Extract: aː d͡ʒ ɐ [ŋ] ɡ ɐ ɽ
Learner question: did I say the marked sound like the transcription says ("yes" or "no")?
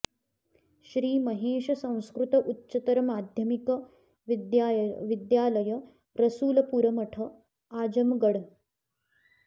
no